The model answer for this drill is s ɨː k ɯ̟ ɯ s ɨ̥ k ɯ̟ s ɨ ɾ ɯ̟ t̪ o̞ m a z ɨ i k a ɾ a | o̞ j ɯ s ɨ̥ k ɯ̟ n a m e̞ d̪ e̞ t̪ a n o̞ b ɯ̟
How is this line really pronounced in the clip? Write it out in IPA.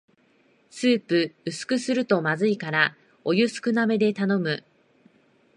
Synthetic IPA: s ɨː p ɯ̟ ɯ s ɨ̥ k ɯ̟ s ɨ ɾ ɯ̟ t̪ o̞ m a z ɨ i k a ɾ a | o̞ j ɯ s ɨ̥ k ɯ̟ n a m e̞ d̪ e̞ t̪ a n o̞ m ɯ̟

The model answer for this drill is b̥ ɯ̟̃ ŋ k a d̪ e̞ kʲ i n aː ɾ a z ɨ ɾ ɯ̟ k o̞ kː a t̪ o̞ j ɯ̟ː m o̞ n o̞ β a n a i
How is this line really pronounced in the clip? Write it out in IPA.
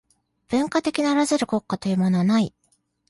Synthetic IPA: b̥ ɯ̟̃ ŋ k a t̪ e̞ kʲ i n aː ɾ a z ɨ ɾ ɯ̟ k o̞ kː a t̪ o̞ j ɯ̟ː m o̞ n o̞ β a n a i

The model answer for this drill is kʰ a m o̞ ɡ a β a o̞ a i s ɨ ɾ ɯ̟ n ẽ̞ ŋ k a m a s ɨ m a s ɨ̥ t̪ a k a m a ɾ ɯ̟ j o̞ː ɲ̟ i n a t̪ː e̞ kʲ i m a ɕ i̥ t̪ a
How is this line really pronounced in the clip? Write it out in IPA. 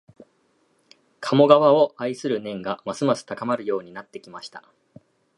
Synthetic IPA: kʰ a m o̞ ɡ a β a o̞ a i s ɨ ɾ ɯ̟ n ẽ̞ ŋ ɡ a m a s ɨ m a s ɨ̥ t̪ a k a m a ɾ ɯ̟ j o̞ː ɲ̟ i n a t̪ː e̞ kʲ i m a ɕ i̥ t̪ a

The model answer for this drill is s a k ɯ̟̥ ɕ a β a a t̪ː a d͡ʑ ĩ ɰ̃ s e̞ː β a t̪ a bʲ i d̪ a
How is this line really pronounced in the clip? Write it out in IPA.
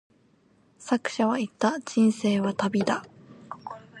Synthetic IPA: s a k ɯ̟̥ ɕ a β a i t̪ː a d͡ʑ ĩ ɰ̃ s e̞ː β a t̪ a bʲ i d̪ a

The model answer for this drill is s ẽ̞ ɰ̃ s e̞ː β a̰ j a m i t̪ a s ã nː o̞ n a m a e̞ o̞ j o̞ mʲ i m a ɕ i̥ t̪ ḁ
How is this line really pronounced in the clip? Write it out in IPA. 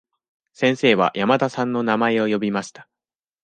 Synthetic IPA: s ẽ̞ ɰ̃ s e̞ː β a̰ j a m a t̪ a s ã nː o̞ n a m a e̞ o̞ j o̞ bʲ i m a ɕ i̥ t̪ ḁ

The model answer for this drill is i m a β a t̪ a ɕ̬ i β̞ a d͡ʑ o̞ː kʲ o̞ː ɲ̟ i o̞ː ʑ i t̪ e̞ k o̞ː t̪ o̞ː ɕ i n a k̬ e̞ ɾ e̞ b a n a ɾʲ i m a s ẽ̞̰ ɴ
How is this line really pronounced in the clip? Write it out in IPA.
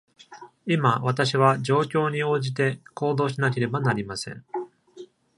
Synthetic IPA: i m a β a t̪ a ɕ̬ i β̞ a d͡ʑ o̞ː kʲ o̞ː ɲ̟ i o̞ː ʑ i t̪ e̞ k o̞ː d̪ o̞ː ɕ i n a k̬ e̞ ɾ e̞ b a n a ɾʲ i m a s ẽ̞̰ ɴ

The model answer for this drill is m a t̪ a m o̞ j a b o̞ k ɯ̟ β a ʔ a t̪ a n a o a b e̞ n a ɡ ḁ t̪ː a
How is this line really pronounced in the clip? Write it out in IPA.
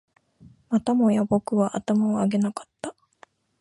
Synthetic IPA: m a t̪ a m o̞ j a b o̞ k ɯ̟ β a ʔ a t̪ a m a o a ɡ e̞ n a k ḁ t̪ː a

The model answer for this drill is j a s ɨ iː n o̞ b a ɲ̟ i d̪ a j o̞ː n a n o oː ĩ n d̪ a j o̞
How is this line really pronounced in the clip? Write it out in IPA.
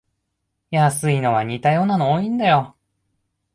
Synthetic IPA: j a s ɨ i n o̞ β a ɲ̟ i t̪ a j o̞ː n a n o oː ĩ n d̪ a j o̞

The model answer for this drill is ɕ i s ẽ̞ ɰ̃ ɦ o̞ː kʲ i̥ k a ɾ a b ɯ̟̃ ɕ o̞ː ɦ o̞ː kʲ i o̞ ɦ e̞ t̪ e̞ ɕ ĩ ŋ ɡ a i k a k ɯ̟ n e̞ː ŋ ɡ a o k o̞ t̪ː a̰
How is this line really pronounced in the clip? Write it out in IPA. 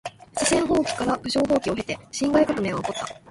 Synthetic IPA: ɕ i s ẽ̞ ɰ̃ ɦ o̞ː kʲ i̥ k a ɾ a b ɯ̟ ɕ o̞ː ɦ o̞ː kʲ i o̞ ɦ e̞ t̪ e̞ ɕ ĩ ŋ ɡ a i k a k ɯ̟ m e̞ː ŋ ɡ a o k o̞ t̪ː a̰

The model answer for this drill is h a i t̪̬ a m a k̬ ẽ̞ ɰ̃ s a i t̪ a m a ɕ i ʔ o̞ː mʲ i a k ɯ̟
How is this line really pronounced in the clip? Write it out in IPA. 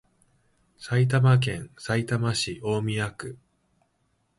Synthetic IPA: s a i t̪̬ a m a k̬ ẽ̞ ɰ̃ s a i t̪ a m a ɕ i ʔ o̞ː mʲ i a k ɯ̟

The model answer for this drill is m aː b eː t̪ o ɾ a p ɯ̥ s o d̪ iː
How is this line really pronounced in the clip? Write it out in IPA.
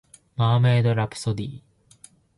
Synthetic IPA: m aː m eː d̪ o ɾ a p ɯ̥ s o d̪ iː

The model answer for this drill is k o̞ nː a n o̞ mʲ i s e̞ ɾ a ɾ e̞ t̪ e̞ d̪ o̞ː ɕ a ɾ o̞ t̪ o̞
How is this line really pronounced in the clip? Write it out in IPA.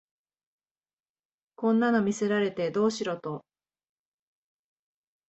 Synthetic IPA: k õ̞ nː a n o̞ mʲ i s e̞ ɾ a ɾ e̞ t̪ e̞ d̪ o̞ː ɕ i ɾ o̞ t̪ o̞

